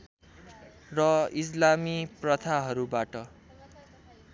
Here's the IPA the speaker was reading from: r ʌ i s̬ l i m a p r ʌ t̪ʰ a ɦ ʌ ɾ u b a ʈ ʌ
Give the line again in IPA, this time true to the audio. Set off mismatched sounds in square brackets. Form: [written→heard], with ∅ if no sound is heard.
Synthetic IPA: r ʌ i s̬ l [i→a] m [a→i] p r ʌ t̪ʰ a ɦ ʌ ɾ u b a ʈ ʌ